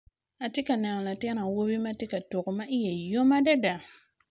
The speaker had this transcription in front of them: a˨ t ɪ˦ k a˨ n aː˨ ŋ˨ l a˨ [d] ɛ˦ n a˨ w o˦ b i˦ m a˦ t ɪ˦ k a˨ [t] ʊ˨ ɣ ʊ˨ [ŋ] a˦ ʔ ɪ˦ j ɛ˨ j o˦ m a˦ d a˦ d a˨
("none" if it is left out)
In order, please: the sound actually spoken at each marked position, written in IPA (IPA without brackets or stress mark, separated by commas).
t, t, m